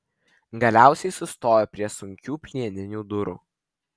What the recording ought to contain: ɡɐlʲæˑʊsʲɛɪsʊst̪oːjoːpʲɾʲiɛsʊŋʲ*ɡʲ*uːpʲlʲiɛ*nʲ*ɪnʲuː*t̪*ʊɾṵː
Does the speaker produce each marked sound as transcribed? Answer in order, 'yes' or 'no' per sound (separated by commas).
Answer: no, yes, no